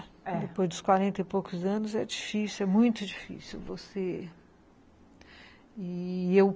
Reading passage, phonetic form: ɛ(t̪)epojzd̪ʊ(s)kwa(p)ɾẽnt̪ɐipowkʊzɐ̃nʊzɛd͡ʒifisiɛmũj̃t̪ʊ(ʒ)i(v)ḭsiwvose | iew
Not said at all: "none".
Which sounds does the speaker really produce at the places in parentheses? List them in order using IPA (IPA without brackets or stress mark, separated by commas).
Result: d̪, s, none, d͡ʒ, f